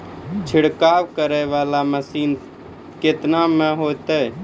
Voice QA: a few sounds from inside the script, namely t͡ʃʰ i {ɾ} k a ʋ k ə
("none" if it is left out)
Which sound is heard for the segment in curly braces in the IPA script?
ɽ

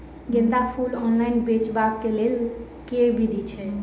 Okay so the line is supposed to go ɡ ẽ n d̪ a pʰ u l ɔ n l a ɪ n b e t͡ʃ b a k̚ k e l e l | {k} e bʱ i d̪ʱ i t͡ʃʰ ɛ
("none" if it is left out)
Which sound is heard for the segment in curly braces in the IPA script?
k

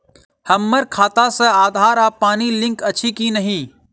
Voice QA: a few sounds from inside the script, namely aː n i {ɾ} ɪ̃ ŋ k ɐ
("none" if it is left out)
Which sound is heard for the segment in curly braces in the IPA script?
l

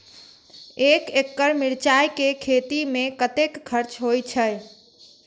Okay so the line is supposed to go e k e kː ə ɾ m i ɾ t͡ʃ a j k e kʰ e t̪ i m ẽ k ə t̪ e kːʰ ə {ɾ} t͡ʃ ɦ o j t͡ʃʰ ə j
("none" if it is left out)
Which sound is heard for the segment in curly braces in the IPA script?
ɾ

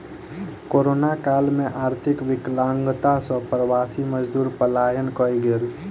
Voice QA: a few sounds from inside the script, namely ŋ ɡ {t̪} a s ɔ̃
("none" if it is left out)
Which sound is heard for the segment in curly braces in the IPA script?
t̪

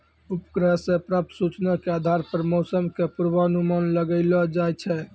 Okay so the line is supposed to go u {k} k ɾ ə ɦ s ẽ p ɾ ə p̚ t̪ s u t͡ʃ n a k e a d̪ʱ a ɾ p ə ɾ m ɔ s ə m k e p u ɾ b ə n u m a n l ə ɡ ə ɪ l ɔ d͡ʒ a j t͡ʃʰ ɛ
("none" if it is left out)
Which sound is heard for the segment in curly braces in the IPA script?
p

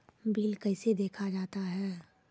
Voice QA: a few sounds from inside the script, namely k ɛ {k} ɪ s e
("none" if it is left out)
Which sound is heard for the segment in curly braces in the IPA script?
none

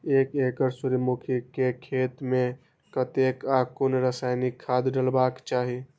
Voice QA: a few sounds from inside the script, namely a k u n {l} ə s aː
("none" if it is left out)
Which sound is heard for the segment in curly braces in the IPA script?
ɾ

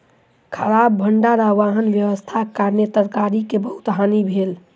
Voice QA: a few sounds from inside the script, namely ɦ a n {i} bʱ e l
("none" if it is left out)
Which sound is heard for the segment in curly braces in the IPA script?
i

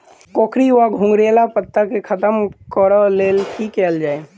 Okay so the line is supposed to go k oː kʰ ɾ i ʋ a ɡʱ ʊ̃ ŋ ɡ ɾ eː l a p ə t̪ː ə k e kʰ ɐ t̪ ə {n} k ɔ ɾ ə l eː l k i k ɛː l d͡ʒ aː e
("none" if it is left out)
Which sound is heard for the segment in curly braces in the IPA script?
m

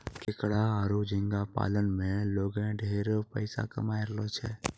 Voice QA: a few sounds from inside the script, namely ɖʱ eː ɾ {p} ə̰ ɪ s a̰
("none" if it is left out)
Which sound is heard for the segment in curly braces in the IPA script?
p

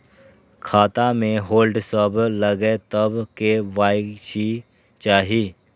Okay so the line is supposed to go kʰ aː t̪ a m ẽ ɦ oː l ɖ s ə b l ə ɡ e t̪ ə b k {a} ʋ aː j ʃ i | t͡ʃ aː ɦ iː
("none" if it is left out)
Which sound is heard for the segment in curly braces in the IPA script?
e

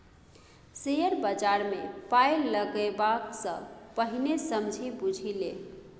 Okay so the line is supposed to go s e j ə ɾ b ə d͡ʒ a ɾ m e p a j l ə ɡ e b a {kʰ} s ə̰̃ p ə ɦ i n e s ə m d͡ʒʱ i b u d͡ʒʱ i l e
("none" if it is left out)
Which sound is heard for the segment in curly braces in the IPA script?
k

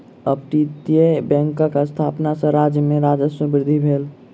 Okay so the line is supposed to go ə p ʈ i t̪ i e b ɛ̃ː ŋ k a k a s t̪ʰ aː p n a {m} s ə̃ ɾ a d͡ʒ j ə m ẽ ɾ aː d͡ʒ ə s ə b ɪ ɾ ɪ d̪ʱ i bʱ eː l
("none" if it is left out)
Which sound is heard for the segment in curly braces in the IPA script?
none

